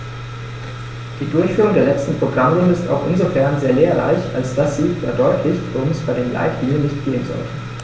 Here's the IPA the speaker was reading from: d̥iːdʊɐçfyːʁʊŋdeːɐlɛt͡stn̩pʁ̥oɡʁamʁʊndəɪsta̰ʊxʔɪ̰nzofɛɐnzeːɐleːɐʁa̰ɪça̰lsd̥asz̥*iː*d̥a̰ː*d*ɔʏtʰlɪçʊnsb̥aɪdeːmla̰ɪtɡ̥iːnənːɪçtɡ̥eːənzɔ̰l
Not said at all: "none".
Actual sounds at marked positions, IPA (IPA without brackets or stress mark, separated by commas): iː, d